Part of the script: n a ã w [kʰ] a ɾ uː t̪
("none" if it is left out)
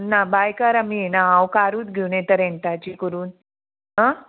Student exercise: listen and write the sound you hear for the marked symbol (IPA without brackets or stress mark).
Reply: k